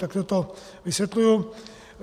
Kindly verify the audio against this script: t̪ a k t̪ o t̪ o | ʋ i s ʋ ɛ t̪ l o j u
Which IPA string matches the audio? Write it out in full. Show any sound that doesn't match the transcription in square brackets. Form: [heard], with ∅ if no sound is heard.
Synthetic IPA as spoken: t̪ a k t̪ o t̪ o | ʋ i s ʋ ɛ t̪ l [u] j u